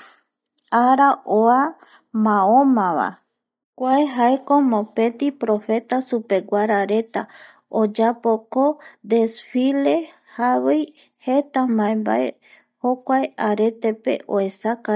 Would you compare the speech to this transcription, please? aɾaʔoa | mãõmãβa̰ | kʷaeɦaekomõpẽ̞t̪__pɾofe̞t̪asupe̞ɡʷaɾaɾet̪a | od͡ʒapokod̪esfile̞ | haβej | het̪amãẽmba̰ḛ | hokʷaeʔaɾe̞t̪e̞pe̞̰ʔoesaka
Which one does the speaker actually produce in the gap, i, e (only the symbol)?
i